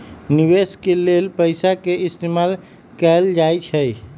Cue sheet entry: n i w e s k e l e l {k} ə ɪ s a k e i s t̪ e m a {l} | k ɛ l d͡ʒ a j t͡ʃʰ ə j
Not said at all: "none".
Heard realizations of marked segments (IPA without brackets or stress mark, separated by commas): p, l